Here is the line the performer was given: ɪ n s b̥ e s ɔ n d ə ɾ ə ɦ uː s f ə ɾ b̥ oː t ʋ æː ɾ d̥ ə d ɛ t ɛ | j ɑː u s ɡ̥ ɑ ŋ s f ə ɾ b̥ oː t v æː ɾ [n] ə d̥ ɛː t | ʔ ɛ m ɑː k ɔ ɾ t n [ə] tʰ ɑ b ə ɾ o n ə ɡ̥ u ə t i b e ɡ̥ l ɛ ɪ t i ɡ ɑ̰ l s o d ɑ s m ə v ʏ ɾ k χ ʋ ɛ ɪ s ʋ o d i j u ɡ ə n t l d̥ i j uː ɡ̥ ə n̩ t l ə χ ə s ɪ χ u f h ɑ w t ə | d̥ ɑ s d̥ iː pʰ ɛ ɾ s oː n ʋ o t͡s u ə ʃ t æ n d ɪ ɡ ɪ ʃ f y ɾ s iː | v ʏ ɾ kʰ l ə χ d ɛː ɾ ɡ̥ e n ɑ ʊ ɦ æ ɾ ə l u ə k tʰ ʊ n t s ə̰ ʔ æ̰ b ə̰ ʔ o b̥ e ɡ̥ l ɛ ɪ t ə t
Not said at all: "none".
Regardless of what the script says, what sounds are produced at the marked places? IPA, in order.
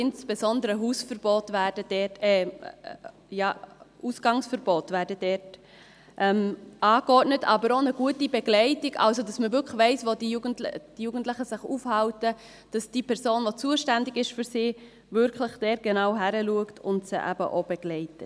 d, ə

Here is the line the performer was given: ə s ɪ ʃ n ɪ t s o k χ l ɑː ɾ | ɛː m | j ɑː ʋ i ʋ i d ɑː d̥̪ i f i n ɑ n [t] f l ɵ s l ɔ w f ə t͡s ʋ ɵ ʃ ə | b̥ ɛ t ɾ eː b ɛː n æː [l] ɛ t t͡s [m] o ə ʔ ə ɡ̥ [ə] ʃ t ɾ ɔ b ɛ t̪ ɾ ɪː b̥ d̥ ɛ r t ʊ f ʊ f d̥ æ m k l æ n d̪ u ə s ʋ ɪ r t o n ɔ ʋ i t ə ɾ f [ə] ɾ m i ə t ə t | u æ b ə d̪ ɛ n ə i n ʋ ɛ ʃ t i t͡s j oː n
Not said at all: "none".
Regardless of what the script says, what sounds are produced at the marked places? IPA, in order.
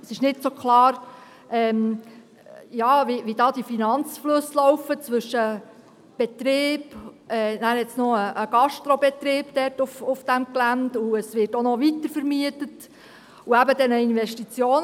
t͡s, ɾ, n, ɑ, ə

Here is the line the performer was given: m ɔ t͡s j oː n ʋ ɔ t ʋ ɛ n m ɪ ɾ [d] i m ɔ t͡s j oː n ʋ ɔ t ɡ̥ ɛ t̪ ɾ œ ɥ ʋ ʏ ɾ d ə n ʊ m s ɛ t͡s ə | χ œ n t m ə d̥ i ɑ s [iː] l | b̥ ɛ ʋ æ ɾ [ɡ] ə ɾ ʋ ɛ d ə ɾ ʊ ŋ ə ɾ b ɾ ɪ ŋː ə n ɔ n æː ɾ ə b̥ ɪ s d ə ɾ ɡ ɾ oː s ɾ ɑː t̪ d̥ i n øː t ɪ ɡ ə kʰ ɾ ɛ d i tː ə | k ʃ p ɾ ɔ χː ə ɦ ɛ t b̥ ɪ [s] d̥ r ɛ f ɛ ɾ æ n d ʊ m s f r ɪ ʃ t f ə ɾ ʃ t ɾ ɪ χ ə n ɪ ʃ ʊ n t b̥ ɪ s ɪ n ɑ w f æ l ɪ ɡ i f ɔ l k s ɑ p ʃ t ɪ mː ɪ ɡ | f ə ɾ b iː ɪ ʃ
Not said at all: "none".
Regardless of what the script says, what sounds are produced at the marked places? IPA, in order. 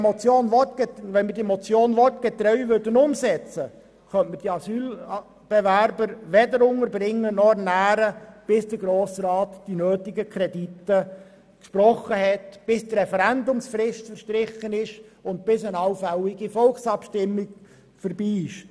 d, yː, b, s

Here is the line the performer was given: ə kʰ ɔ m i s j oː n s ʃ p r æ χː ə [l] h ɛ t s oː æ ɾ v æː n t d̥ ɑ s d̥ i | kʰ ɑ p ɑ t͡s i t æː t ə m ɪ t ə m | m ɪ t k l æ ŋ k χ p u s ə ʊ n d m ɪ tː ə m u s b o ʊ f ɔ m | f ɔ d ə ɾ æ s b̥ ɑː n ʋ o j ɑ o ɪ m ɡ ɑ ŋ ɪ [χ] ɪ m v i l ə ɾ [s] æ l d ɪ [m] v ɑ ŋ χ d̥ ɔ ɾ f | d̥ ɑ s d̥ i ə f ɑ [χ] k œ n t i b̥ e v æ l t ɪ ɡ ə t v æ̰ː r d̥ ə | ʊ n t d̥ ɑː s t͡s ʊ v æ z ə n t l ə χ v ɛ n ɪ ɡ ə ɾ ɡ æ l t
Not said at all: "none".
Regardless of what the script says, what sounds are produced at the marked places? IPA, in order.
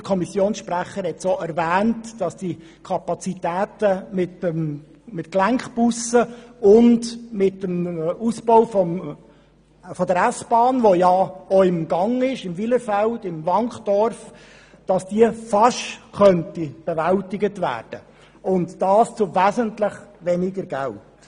ɾ, ʃ, f, m, ʃ

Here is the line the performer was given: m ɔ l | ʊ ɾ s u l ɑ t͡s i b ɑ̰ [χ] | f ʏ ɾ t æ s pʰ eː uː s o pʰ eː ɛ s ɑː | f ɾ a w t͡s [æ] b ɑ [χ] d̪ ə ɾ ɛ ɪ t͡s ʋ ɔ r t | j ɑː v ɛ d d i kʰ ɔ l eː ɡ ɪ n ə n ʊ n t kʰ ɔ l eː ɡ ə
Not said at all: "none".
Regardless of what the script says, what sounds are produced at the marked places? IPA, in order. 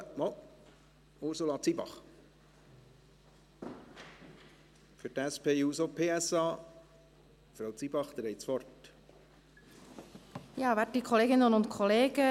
χ, i, χ

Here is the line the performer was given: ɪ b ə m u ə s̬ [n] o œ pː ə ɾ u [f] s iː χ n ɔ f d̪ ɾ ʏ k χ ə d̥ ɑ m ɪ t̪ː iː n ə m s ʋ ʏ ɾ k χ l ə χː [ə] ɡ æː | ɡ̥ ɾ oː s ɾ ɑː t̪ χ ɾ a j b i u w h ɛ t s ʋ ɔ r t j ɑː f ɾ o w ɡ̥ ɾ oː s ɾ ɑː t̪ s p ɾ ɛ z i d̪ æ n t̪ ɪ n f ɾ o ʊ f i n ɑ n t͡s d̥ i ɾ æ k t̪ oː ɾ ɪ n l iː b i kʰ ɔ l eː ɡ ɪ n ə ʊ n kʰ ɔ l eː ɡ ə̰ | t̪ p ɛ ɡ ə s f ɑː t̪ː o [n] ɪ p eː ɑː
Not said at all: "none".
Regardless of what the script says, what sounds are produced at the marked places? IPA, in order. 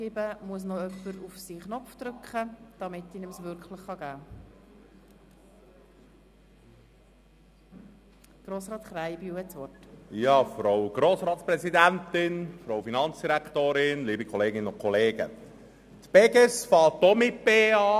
n, f, ɑ, m

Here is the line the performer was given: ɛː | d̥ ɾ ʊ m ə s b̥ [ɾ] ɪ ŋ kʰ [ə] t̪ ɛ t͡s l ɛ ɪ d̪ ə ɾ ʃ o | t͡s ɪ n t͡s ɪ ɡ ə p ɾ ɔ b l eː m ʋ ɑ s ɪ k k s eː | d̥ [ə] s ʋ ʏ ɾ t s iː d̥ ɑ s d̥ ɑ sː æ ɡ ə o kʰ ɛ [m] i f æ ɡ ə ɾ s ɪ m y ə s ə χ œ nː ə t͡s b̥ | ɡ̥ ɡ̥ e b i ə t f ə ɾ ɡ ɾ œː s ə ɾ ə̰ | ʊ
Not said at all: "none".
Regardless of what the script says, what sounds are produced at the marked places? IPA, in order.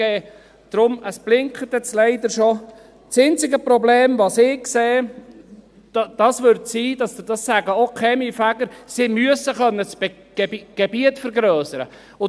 l, ə, ɑ, m

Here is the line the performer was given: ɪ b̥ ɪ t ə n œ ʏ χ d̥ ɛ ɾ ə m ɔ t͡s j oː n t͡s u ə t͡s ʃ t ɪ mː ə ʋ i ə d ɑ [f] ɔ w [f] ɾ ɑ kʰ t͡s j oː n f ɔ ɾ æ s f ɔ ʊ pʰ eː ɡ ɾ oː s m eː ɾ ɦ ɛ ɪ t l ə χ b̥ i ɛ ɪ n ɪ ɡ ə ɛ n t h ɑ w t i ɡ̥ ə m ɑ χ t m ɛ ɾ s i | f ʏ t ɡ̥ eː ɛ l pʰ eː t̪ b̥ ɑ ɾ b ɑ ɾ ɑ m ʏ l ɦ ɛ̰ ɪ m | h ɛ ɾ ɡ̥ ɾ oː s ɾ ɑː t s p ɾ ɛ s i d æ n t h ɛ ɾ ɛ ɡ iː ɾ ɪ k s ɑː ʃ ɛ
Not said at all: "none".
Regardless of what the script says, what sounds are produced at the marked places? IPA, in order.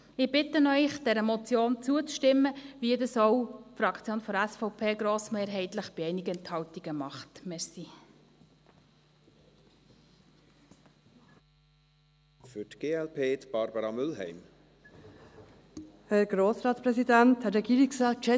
s, f

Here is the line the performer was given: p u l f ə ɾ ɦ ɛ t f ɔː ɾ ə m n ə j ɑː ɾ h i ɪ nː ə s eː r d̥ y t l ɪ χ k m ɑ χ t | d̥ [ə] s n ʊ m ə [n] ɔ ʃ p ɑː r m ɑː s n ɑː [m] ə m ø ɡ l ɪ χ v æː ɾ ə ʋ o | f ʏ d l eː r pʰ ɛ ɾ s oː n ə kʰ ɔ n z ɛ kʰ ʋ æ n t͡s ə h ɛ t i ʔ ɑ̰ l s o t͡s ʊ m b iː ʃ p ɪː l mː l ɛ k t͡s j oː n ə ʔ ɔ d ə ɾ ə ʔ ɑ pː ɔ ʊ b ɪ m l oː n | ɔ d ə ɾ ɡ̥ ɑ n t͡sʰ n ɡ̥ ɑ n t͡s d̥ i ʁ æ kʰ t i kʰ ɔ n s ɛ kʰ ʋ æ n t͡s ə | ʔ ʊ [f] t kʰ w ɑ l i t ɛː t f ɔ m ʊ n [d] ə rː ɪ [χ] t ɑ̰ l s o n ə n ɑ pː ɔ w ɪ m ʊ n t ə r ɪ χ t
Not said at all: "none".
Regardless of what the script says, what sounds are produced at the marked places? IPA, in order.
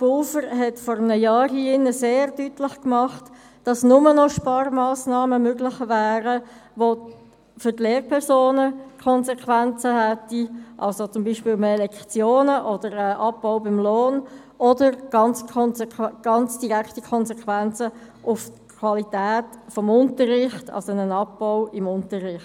ɑ, n, m, f, t, χ

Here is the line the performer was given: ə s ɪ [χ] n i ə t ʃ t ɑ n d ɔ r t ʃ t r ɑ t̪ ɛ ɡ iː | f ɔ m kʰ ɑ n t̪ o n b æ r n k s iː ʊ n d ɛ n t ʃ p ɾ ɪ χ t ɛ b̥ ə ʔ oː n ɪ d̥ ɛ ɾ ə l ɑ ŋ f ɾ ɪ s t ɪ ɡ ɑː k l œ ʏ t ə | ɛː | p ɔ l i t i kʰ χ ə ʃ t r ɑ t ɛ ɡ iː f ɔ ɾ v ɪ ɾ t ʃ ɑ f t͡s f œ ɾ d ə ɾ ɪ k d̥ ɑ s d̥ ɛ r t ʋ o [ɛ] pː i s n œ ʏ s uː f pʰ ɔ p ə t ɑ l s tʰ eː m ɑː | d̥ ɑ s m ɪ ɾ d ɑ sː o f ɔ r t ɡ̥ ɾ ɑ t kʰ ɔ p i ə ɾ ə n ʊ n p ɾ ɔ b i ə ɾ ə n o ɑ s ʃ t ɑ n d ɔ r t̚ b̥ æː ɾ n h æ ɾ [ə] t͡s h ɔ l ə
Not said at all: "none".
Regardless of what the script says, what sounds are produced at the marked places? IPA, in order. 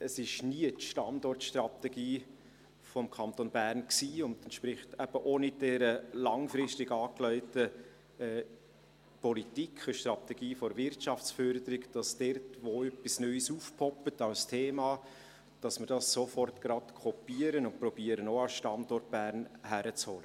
ʃ, œ, ə

